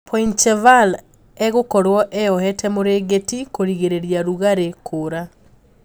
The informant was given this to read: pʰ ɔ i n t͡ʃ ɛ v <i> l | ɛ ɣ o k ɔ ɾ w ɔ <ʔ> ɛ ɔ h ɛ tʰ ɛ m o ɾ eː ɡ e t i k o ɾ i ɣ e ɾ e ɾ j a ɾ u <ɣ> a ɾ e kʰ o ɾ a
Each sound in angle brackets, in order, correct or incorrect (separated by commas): incorrect, correct, correct